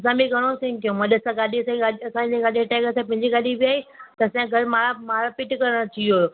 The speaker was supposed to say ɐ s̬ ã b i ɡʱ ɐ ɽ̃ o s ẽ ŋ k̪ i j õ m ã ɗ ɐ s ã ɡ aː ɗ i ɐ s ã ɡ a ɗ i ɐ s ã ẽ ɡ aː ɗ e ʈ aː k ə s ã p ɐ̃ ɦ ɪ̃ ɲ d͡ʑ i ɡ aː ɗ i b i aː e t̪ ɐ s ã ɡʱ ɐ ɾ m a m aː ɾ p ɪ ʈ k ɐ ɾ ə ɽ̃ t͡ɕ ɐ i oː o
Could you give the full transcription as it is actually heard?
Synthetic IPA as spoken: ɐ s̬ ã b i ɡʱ ɐ ɽ̃ o s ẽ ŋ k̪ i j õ m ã ɗ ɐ s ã ɡ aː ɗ i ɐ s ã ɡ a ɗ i ɐ s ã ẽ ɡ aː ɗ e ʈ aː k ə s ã p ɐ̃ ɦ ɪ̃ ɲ d͡ʑ i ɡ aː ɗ i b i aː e t̪ ɐ s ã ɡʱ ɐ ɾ m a m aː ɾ p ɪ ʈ k ɐ ɾ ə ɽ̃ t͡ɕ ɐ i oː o